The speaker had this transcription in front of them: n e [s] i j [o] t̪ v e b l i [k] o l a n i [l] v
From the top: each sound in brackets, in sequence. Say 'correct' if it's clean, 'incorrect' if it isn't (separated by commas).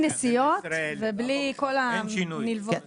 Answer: correct, correct, correct, correct